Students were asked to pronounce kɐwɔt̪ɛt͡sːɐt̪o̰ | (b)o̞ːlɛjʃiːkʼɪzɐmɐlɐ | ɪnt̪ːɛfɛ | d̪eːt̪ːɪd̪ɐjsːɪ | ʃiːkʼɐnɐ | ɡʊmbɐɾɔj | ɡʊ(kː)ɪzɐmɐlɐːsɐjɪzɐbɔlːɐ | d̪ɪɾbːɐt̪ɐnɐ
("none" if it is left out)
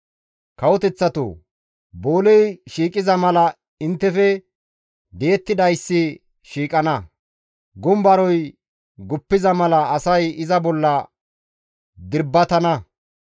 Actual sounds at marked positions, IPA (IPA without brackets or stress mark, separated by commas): b, pː